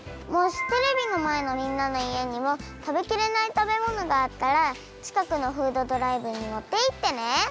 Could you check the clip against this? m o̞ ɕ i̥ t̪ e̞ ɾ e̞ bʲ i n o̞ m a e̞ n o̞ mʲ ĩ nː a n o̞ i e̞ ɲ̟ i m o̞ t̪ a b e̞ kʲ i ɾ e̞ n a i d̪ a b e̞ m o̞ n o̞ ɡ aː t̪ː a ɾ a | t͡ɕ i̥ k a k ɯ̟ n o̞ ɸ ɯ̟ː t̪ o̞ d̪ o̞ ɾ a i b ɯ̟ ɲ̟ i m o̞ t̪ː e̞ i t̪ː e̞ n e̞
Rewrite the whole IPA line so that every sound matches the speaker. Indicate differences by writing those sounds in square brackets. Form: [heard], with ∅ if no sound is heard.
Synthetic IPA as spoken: m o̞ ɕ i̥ t̪ e̞ ɾ e̞ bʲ i n o̞ m a e̞ n o̞ mʲ ĩ nː a n o̞ i e̞ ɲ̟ i m o̞ t̪ a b e̞ kʲ i ɾ e̞ n a i [t̪] a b e̞ m o̞ n o̞ ɡ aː t̪ː a ɾ a | t͡ɕ i̥ k a k ɯ̟ n o̞ ɸ ɯ̟ː [d̪] o̞ d̪ o̞ ɾ a i b ɯ̟ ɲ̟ i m o̞ t̪ː e̞ i t̪ː e̞ n e̞